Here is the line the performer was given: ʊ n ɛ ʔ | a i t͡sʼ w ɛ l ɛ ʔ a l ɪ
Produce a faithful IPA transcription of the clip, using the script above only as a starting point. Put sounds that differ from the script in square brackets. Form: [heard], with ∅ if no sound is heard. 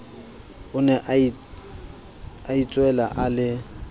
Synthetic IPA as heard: ʊ n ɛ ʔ | a i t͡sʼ w ɛ l [a] ʔ a l ɪ